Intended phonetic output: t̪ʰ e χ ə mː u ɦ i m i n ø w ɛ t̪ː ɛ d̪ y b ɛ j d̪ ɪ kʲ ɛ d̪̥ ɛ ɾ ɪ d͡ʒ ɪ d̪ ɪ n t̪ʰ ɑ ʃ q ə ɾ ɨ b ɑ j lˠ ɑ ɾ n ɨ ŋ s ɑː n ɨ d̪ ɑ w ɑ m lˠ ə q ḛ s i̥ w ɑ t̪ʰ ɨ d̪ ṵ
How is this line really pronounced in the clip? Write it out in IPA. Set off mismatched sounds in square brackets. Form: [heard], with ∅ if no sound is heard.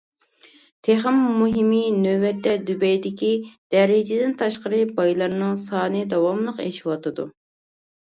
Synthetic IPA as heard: t̪ʰ e χ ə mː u ɦ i m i n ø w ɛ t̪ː ɛ d̪ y b ɛ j d̪ ɪ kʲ [i] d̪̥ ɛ ɾ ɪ d͡ʒ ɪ d̪ ɪ n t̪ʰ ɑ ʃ q ə ɾ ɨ b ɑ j lˠ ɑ ɾ n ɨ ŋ s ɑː n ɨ d̪ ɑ w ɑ m lˠ ə q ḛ [ʃ] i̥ w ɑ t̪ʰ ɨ d̪ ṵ